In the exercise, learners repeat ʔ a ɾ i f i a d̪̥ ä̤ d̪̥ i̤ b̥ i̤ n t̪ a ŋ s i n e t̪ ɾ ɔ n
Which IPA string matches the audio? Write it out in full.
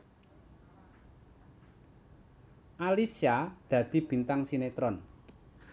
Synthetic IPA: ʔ a l i s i a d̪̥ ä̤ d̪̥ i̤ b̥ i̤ n t̪ a ŋ s i n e t̪ ɾ ɔ n